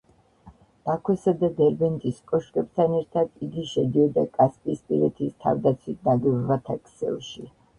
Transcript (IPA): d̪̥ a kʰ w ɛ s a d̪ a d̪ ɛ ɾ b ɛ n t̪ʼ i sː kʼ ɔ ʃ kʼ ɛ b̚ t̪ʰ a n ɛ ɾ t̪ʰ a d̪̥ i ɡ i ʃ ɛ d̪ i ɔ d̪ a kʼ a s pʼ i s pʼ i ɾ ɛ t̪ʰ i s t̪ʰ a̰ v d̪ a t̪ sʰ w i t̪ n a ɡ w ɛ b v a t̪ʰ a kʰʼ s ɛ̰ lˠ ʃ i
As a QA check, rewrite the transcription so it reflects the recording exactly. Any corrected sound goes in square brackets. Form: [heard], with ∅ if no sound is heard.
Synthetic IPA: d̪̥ a kʰ w ɛ s a d̪ a d̪ ɛ ɾ b ɛ n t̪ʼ i [s] kʼ ɔ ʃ kʼ ɛ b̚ t̪ʰ a n ɛ ɾ t̪ʰ a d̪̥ i ɡ i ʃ ɛ d̪ i ɔ d̪ a kʼ a s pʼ i s pʼ i ɾ ɛ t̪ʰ i s t̪ʰ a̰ v d̪ a t̪ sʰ w i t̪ n a ɡ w ɛ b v a t̪ʰ a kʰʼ s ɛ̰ lˠ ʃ i